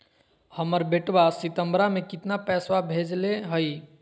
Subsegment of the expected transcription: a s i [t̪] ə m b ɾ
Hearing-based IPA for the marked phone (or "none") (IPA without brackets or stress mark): t̪